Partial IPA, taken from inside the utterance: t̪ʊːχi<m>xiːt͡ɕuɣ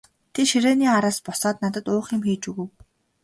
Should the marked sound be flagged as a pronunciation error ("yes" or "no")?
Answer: no